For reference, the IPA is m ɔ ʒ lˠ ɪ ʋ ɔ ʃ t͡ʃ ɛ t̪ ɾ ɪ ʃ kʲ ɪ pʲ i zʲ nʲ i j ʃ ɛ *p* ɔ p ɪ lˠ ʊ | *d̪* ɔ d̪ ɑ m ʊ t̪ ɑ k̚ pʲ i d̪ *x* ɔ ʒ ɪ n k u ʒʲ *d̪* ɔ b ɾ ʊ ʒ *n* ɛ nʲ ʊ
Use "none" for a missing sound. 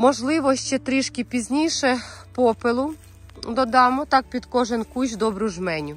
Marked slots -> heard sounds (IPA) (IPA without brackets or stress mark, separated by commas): p, d̪, k, d̪, m